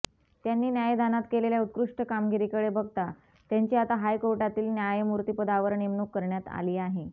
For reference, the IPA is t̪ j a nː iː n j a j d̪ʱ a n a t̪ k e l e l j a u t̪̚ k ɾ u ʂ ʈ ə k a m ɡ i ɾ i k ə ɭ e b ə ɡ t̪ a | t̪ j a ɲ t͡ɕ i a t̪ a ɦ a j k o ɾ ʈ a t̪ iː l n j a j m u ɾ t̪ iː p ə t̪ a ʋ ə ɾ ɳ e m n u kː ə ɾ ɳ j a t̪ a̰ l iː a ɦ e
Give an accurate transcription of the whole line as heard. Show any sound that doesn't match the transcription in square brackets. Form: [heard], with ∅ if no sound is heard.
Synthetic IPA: t̪ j a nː iː n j a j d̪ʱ a n a t̪ k e l e l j a u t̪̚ k ɾ u ʂ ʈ ə k a m ɡ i ɾ i k ə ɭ e b ə ɡ t̪ a | t̪ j a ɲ t͡ɕ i a t̪ a ɦ a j k o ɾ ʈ a t̪ iː l n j a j m u ɾ t̪ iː p ə [d̪] a ʋ ə ɾ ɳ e m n u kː ə ɾ ɳ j a t̪ a̰ l iː a ɦ e